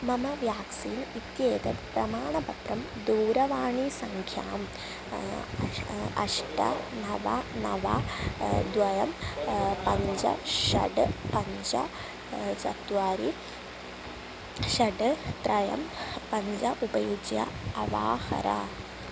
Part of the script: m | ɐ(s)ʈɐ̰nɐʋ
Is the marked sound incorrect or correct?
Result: incorrect